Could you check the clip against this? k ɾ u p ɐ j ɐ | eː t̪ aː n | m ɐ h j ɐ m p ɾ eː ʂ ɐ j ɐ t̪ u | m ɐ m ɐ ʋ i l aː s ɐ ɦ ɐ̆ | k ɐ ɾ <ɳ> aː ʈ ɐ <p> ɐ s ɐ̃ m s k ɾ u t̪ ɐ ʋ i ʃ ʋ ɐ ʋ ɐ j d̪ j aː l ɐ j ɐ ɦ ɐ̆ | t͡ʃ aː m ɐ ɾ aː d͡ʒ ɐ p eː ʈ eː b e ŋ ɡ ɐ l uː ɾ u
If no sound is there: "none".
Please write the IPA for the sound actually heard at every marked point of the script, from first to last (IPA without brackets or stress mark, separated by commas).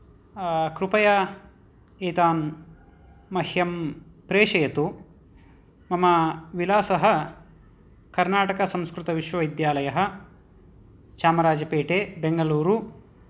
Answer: n, k